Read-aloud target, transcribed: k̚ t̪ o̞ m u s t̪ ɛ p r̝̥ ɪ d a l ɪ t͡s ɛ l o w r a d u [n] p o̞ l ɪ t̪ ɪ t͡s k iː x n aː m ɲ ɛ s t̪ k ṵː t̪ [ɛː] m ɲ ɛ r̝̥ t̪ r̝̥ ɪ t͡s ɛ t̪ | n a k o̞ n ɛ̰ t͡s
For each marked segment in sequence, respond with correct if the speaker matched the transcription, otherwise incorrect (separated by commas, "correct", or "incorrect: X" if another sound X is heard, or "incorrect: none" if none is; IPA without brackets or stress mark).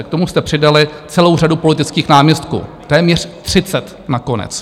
incorrect: none, correct